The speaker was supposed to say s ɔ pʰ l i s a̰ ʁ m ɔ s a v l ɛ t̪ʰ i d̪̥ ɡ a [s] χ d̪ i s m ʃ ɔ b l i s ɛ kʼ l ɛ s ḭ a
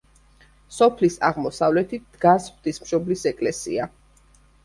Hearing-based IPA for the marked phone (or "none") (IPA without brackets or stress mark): s